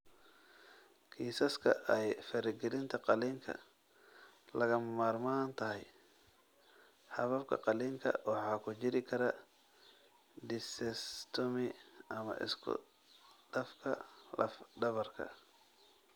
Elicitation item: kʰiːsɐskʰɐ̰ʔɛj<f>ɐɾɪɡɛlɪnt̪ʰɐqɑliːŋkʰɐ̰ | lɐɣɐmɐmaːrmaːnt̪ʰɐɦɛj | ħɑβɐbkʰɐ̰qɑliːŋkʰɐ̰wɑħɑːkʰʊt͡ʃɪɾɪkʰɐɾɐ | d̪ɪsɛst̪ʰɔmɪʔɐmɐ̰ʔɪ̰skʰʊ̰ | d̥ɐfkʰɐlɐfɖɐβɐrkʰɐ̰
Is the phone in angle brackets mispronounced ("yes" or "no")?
no